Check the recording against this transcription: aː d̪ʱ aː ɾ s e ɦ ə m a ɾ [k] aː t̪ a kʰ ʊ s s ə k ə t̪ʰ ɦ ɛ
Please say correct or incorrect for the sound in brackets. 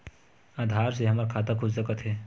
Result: incorrect